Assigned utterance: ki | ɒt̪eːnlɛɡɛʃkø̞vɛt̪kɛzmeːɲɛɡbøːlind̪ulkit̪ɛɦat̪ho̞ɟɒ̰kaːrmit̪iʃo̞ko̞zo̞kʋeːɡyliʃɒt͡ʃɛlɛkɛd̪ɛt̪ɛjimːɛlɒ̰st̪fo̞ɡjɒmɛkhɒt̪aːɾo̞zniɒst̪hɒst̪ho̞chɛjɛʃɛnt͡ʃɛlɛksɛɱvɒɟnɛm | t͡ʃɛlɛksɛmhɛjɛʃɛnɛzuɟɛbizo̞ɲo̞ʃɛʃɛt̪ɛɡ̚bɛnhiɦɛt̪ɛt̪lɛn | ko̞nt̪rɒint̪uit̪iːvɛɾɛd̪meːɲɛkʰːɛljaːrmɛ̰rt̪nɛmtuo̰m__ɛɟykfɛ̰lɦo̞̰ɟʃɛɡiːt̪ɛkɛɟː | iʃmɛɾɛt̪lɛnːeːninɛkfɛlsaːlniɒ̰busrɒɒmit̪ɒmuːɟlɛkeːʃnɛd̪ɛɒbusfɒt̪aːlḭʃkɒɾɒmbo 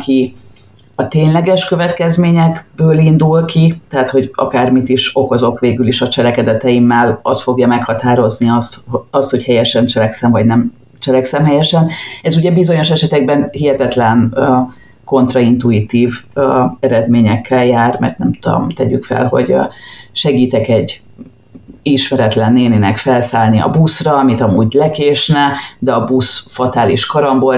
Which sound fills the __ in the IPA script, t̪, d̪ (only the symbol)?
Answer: t̪